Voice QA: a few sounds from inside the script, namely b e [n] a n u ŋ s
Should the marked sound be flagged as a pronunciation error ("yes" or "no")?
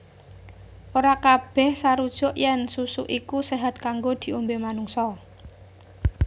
yes